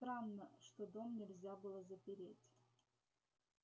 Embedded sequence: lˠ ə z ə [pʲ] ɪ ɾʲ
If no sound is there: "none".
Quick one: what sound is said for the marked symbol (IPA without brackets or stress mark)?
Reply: pʲ